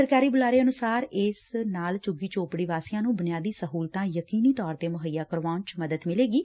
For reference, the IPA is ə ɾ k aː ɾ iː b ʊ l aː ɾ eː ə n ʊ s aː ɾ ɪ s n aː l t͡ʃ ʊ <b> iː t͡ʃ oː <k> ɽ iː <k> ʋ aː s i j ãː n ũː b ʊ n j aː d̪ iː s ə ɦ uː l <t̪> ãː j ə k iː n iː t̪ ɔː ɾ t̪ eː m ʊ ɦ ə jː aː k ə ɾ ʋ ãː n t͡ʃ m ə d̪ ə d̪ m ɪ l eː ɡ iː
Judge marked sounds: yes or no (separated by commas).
no, no, no, yes